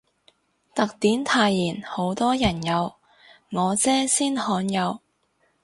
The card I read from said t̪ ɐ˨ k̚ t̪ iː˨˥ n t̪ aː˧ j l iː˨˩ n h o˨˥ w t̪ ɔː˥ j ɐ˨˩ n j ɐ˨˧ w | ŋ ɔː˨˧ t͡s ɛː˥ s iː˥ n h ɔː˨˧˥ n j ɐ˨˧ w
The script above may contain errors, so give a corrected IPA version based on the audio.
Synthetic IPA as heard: t̪ ɐ˨ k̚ t̪ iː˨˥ n t̪ʰ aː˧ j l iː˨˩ n h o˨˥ w t̪ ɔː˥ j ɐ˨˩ n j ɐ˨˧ w | ŋ ɔː˨˧ t͡s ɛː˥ s iː˥ n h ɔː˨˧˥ n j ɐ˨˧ w

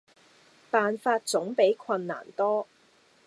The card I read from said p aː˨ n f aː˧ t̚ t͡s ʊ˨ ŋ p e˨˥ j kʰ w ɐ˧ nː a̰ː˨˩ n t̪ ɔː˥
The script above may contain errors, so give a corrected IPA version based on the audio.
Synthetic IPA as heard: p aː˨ n f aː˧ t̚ t͡s ʊ˨˥ ŋ p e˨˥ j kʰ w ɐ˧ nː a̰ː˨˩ n t̪ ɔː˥

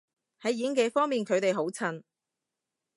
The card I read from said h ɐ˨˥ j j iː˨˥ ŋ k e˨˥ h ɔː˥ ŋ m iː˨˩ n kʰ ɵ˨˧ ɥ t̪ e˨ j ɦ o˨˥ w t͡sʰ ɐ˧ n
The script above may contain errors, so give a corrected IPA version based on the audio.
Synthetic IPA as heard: h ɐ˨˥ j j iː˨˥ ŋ k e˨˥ f ɔː˥ ŋ m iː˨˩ n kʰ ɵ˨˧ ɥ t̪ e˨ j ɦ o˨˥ w t͡sʰ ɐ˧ n

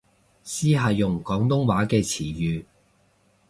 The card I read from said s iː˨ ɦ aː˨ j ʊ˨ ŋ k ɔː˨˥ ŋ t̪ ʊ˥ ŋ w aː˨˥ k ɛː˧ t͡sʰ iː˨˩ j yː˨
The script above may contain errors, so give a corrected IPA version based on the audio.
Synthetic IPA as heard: s iː˥ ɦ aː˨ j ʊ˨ ŋ k ɔː˨˥ ŋ t̪ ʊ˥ ŋ w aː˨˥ k ɛː˧ t͡sʰ iː˨˩ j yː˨

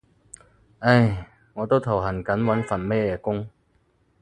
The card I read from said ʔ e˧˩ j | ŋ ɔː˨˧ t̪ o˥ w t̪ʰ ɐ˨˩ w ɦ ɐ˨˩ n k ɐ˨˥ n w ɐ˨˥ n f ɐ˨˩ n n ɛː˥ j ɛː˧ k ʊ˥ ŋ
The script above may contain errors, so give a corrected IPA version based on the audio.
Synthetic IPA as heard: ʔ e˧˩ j | ŋ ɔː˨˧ t̪ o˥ w t̪ʰ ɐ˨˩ w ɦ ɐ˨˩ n k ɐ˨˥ n w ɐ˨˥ n f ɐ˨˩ n m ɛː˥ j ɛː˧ k ʊ˥ ŋ

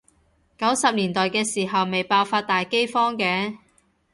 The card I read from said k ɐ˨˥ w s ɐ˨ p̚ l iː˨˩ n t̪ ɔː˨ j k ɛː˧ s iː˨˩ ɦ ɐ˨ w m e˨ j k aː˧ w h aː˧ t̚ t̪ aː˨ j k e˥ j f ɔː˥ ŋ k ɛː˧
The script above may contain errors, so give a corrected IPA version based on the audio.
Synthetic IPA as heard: k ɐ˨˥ w s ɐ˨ p̚ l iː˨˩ n t̪ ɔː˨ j k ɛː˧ s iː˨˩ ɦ ɐ˨ w m e˨ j p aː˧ w f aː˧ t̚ t̪ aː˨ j k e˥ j f ɔː˥ ŋ k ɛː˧

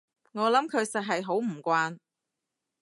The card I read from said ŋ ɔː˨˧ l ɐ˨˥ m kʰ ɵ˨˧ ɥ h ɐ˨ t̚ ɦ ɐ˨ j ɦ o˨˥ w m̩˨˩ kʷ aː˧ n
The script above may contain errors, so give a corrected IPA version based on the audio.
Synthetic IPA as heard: ŋ ɔː˨˧ l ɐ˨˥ m kʰ ɵ˨˧ ɥ s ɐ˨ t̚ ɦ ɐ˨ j ɦ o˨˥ w m̩˨˩ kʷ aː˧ n

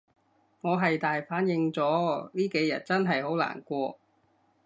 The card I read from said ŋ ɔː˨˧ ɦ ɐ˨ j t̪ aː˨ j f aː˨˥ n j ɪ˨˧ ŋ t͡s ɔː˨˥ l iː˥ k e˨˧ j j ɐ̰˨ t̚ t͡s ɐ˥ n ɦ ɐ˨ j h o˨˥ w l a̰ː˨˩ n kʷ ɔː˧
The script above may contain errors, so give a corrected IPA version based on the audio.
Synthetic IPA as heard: ŋ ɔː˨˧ ɦ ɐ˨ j t̪ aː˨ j f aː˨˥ n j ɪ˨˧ ŋ t͡s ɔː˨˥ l iː˥ k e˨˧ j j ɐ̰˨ t̚ t͡s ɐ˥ n ɦ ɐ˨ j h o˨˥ w l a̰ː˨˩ n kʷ ɔː˧

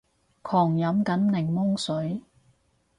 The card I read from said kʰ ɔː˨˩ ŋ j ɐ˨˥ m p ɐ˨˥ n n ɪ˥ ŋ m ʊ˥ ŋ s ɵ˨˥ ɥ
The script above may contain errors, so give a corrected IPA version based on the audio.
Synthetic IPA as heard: kʰ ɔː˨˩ ŋ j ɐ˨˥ m k ɐ˨˥ n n ɪ˨˩ ŋ m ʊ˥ ŋ s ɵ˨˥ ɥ

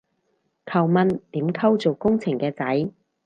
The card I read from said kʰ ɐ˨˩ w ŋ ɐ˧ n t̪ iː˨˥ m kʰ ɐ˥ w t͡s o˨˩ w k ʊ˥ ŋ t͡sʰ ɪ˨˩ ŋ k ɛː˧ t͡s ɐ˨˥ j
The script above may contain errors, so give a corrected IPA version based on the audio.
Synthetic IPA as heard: kʰ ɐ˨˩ w m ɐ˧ n t̪ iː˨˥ m kʰ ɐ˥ w t͡s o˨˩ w k ʊ˥ ŋ t͡sʰ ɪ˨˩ ŋ k ɛː˧ t͡s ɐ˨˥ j

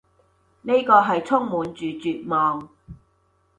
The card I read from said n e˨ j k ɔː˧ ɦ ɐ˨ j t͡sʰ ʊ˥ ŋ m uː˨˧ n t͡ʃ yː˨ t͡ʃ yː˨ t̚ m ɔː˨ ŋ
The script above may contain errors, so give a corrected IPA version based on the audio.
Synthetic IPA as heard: n e˥ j k ɔː˧ ɦ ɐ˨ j t͡sʰ ʊ˥ ŋ m uː˨˧ n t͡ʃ yː˨ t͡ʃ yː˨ t̚ m ɔː˨ ŋ

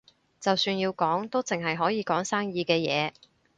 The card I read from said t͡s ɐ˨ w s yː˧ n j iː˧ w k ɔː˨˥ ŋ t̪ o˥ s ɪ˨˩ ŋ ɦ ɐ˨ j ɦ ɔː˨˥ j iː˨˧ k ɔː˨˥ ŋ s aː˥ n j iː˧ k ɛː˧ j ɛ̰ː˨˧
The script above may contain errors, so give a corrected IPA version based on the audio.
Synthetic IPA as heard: t͡s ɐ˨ w s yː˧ n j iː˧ w k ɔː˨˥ ŋ t̪ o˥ t͡s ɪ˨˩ ŋ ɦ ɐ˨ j ɦ ɔː˨˥ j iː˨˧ k ɔː˨˥ ŋ s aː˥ ŋ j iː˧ k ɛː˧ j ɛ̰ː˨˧

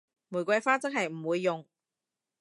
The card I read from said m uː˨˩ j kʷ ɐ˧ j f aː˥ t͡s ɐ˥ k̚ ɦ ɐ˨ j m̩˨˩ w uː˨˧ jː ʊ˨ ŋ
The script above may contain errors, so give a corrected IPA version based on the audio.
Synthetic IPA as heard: m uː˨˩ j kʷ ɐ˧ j f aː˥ t͡s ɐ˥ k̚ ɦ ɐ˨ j m̩˨˩ w uː˨˧ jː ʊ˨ ŋ

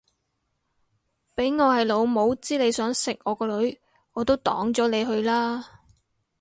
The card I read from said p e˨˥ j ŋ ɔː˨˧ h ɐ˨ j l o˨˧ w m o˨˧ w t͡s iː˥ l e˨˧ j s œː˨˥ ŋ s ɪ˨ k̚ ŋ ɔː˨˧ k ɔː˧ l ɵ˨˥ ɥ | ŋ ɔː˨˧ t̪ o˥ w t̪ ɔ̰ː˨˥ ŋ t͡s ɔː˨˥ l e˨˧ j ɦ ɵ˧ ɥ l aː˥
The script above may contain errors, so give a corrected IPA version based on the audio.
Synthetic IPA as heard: p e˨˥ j ŋ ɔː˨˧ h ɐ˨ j l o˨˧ w m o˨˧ w t͡s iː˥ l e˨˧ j s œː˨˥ ŋ s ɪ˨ k̚ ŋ ɔː˨˧ k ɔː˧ l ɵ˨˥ ɥ | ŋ ɔː˨˧ t̪ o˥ w t̪ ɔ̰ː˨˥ ŋ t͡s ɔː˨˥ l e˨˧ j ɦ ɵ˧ ɥ l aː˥

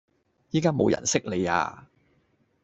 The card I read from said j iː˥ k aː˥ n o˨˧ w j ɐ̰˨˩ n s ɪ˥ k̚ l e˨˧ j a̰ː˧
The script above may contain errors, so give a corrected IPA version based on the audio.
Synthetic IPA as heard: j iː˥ k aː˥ m o˨˧ w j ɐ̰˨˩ n s ɪ˥ k̚ l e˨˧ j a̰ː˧

